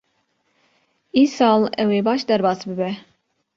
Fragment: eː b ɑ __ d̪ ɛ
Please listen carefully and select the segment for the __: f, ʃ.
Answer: ʃ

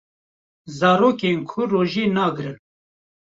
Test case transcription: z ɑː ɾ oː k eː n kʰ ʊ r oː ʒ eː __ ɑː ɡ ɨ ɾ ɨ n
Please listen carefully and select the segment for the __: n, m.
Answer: n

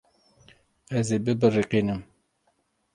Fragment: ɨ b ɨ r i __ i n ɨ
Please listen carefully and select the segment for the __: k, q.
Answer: q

